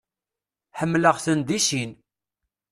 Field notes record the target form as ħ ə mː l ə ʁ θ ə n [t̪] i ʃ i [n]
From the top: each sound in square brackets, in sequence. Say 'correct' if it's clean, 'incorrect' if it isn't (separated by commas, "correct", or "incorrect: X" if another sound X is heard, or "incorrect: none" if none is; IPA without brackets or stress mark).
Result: incorrect: d̪, correct